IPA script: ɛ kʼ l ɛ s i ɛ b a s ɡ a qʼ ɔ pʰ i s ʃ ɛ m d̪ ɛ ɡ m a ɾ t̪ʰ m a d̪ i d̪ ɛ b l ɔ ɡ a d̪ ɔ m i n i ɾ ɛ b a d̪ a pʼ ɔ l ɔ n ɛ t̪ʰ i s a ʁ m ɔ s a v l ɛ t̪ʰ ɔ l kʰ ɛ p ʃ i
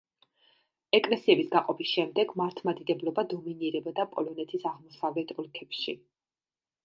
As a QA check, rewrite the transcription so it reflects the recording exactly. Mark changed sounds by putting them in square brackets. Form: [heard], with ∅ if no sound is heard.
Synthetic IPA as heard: ɛ kʼ l ɛ s i ɛ b [i] s ɡ a qʼ ɔ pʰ i s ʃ ɛ m d̪ ɛ ɡ m a ɾ t̪ʰ m a d̪ i d̪ ɛ b l ɔ [b] a d̪ ɔ m i n i ɾ ɛ b a d̪ a pʼ ɔ l ɔ n ɛ t̪ʰ i s a ʁ m ɔ s a v l ɛ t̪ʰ ɔ l kʰ ɛ p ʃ i